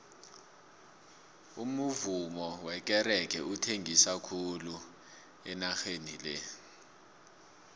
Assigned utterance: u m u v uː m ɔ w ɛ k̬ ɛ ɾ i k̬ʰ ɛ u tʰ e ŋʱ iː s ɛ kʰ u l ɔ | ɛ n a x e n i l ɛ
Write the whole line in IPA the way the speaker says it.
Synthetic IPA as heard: u m u v u m ɔ w ɛ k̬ ɛ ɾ ɛ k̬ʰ ɛ u tʰ e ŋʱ i s a kʰ u l u | ɛ n a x e n i l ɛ